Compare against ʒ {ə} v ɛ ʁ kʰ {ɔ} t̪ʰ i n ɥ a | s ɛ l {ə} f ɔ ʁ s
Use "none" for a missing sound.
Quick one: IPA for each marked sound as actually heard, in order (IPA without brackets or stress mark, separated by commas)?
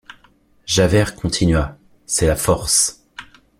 a, ɔ̃, a